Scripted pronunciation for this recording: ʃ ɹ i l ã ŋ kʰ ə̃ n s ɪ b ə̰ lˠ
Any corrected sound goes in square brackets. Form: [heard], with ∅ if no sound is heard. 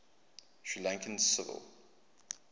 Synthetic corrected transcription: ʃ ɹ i l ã ŋ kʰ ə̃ n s ɪ [v] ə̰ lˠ